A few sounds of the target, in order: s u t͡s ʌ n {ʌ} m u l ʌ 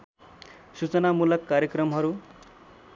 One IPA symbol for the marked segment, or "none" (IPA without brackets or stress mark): a